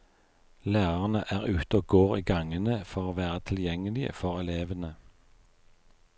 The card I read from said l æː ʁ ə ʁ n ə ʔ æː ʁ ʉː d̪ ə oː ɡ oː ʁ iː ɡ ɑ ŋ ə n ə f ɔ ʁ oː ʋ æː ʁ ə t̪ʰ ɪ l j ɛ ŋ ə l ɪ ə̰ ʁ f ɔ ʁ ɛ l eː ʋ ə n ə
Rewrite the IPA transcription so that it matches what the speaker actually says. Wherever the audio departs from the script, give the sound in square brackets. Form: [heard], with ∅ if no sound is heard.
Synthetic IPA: l æː ʁ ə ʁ n ə ʔ æː ʁ ʉː [t̪] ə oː ɡ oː ʁ iː ɡ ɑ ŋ ə n ə f ɔ ʁ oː ʋ æː ʁ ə t̪ʰ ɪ l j ɛ ŋ ə l ɪ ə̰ [∅] f ɔ ʁ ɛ l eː ʋ ə n ə